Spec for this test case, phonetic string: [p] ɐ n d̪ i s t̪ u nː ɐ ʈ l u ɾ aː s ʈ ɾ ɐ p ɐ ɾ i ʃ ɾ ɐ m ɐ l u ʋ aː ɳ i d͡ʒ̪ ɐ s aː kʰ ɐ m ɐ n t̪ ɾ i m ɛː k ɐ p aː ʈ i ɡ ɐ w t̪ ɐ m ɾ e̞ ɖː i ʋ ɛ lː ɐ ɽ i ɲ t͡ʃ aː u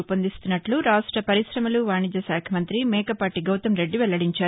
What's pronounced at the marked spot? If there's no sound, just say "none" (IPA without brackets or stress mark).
p